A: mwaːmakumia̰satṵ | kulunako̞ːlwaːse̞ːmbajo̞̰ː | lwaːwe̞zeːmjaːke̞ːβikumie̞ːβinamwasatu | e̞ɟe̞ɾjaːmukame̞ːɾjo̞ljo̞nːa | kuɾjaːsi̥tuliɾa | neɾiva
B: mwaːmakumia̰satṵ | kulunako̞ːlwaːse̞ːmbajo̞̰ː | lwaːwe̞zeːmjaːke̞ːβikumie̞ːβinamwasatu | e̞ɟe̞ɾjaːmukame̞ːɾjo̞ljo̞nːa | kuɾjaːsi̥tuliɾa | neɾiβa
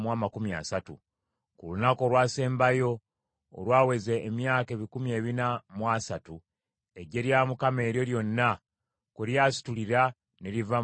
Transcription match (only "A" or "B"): A